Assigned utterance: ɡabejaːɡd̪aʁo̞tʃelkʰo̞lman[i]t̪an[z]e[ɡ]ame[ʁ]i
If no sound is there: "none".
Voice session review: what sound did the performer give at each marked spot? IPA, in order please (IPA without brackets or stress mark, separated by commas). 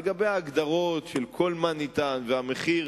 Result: i, v, none, χ